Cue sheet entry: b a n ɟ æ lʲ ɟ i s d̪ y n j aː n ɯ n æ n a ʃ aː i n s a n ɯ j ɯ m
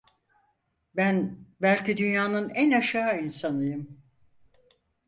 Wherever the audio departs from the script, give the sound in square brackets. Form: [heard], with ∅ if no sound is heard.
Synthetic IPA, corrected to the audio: b [æ] n [b] æ lʲ [c] i [∅] d̪ y n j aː n ɯ n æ n a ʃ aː i n s a n ɯ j ɯ m